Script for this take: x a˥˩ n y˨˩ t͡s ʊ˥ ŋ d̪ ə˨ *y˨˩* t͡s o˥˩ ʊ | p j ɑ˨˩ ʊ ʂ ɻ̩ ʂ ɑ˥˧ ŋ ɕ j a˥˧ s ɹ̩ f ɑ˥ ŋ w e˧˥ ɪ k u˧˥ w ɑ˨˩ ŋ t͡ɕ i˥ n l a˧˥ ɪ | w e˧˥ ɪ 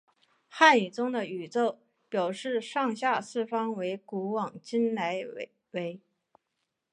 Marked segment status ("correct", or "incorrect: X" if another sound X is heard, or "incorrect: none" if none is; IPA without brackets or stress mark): correct